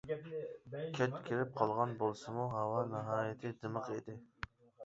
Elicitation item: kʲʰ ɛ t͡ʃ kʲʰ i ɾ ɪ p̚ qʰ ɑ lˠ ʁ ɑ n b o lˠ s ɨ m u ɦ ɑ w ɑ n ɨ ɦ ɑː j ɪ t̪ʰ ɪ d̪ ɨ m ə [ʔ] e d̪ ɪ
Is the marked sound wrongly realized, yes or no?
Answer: yes